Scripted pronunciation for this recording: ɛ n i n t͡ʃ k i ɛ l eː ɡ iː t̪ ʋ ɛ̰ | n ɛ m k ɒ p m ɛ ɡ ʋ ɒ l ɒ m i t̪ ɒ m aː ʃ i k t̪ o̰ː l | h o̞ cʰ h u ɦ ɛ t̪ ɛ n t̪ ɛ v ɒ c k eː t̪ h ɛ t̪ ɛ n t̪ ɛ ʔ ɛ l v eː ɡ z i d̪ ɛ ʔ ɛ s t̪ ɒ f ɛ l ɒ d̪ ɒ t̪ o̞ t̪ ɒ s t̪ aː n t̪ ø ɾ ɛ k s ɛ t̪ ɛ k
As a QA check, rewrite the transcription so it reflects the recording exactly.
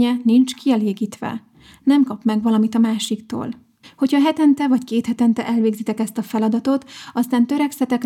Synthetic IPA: ɛ n i n t͡ʃ k i ɛ l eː ɡ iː t̪ ʋ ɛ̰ | n ɛ m k ɒ p m ɛ ɡ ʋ ɒ l ɒ m i t̪ ɒ m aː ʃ i k t̪ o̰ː l | h o̞ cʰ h ɒ ɦ ɛ t̪ ɛ n t̪ ɛ v ɒ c k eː t̪ h ɛ t̪ ɛ n t̪ ɛ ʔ ɛ l v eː ɡ z i t̪ ɛ k ɛ s t̪ ɒ f ɛ l ɒ d̪ ɒ t̪ o̞ t̪ ɒ s t̪ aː n t̪ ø ɾ ɛ k s ɛ t̪ ɛ k